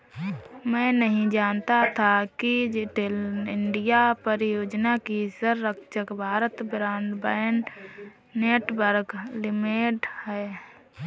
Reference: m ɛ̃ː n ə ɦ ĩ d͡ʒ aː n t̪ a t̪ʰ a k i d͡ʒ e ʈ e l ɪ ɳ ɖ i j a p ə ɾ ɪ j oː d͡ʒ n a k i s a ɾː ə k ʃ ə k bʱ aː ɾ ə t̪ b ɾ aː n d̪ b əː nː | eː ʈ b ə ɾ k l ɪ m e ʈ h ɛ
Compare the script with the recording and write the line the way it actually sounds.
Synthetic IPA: m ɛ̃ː n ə ɦ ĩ d͡ʒ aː n t̪ a t̪ʰ a k i d͡ʒ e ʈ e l ɪ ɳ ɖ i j a p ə ɾ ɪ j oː d͡ʒ n a k i s ə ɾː ə k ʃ ə k bʱ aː ɾ ə t̪ b ɾ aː n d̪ b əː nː | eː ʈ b ə ɾ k l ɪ m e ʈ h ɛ